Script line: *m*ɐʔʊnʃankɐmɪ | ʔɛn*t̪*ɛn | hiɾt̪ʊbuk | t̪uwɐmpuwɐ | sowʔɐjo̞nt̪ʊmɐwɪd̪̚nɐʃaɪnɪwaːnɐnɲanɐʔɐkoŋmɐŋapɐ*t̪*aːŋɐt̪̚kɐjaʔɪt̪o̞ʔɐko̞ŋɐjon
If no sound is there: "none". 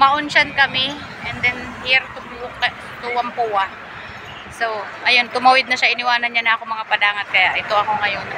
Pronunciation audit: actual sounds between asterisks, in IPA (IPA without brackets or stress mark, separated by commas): m, d̪, d̪